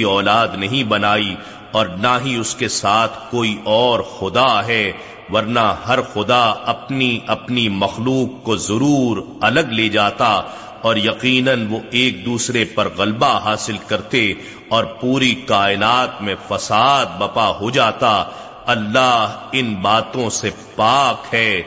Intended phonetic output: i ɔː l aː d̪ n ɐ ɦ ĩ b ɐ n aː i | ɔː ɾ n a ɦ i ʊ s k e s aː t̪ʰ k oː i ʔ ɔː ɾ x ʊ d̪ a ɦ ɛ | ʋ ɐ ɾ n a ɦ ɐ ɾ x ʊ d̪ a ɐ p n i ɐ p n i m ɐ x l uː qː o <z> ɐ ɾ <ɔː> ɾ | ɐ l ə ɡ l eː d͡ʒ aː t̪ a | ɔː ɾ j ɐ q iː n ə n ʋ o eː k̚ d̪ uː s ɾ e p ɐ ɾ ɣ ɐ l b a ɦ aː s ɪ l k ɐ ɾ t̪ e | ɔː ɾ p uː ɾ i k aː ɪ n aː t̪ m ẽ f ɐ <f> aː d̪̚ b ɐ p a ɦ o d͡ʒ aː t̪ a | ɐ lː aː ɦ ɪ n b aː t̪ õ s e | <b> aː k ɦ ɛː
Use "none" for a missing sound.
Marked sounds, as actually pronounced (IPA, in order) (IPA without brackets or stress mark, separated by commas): z, uː, s, p